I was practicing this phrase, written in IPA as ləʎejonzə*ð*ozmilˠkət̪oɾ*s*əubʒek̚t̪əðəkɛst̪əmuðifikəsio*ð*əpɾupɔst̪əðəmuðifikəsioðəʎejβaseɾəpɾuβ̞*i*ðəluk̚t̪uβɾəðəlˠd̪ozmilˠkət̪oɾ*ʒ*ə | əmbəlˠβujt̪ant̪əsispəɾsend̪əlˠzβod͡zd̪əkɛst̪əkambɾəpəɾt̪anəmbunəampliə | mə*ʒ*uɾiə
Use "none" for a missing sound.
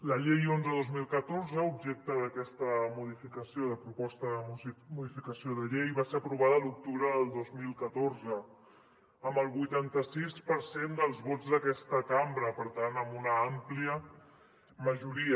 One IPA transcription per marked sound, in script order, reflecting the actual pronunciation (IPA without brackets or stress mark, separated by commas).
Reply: ð, z, ð, a, z, ʒ